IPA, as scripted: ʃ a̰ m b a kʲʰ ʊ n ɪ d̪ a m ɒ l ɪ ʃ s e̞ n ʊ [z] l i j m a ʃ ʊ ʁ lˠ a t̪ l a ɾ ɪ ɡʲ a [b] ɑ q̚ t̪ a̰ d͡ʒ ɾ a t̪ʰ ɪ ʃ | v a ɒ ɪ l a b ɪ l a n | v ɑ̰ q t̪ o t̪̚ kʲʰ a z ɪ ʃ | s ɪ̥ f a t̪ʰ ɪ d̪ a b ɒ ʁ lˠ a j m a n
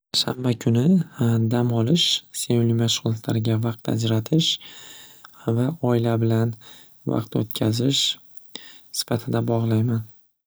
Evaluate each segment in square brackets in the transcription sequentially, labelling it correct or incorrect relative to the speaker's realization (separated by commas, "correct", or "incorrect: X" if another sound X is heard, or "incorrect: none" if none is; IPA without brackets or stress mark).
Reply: incorrect: none, incorrect: v